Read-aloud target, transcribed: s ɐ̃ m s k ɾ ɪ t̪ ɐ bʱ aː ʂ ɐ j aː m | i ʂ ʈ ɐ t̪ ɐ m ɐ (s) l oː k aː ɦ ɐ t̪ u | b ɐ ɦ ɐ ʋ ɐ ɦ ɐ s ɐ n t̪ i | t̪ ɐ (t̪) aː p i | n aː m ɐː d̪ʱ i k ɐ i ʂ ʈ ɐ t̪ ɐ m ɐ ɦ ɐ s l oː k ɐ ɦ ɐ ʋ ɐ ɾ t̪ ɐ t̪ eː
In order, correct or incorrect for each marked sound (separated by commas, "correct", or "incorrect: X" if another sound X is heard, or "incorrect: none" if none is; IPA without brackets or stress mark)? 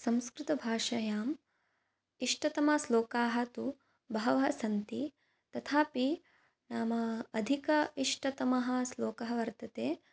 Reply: correct, incorrect: t̪ʰ